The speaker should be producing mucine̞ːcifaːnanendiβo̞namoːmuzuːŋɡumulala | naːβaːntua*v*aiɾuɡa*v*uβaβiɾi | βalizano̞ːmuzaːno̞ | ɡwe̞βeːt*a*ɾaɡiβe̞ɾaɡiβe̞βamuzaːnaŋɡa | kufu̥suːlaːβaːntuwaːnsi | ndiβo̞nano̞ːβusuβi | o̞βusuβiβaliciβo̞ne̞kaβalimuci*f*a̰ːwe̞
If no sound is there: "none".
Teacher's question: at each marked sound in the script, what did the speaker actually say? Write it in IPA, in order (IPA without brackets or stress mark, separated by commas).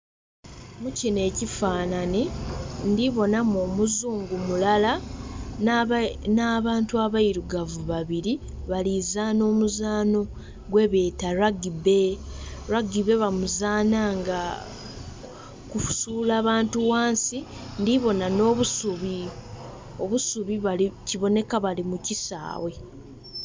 β, v, a, s